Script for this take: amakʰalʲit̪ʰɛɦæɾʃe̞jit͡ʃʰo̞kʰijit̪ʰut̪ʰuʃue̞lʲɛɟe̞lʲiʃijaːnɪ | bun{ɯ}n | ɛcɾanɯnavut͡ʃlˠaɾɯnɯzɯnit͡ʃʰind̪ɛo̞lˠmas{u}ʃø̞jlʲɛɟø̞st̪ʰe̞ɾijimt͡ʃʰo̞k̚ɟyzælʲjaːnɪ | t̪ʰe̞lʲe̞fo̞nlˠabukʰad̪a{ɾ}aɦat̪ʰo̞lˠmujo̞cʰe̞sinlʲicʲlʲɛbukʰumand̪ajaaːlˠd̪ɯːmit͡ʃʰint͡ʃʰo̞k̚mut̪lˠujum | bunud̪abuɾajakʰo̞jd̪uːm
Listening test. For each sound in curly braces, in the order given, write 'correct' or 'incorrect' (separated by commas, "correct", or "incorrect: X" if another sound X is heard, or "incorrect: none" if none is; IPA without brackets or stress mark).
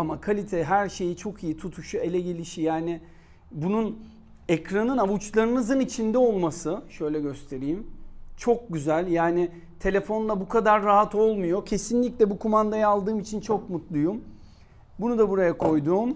incorrect: u, incorrect: ɯ, incorrect: ɾː